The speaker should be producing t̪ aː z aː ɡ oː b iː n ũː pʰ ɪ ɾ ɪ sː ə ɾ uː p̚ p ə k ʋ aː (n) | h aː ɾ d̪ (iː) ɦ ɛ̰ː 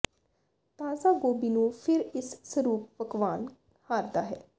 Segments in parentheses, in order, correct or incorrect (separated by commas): correct, incorrect